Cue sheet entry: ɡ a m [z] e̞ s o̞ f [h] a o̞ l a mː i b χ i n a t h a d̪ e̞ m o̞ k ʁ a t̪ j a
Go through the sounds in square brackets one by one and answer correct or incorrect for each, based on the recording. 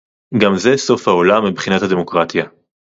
correct, correct

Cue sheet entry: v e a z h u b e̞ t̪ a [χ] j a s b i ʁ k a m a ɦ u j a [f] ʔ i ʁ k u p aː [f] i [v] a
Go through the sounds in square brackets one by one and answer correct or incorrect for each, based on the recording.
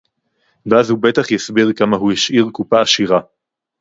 correct, incorrect, incorrect, incorrect

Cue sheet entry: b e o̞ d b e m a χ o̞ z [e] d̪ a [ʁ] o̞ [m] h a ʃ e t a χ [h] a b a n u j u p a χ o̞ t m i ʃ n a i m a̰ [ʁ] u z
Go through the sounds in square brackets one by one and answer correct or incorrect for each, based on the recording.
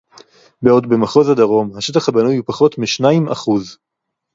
incorrect, correct, correct, correct, incorrect

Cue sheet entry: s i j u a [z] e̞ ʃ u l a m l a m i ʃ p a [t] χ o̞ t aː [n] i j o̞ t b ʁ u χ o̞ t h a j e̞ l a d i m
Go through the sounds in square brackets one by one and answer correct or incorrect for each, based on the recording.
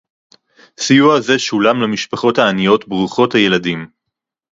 correct, incorrect, correct

